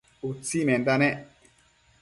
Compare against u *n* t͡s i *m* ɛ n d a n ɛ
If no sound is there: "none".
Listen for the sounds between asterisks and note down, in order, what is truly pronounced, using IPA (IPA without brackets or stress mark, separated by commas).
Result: none, m